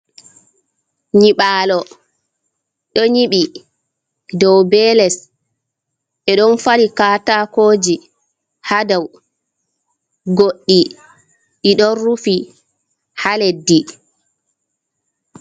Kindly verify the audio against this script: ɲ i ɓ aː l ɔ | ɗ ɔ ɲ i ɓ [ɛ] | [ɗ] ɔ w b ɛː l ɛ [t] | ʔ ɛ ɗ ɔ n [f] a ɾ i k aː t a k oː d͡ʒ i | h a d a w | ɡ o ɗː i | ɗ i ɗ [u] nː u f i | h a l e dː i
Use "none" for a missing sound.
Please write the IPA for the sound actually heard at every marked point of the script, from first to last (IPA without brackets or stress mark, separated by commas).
i, d, s, f, ɔ